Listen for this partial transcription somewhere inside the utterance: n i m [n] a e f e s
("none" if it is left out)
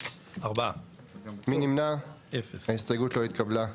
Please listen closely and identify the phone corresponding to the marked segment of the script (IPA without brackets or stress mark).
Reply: n